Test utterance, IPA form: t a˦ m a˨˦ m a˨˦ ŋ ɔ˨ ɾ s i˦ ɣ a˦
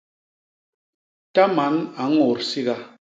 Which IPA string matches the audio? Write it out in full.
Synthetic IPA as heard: t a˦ m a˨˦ n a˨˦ ŋ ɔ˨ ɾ s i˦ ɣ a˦

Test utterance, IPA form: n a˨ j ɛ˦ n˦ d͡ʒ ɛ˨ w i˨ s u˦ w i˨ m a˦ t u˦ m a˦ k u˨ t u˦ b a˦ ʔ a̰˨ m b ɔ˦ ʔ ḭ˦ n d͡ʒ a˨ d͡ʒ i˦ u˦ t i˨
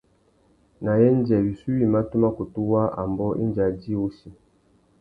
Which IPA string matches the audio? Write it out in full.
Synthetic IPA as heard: n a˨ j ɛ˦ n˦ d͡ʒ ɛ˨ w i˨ s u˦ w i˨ m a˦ t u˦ m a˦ k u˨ t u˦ w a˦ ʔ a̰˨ m b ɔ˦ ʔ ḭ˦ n d͡ʒ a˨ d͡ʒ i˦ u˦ s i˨

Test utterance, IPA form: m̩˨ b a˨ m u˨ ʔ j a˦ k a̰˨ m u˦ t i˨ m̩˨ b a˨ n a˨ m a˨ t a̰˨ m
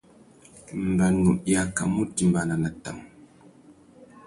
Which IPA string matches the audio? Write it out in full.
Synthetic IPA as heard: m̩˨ b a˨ n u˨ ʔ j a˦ k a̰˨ m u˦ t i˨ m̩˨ b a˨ n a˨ n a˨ t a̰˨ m

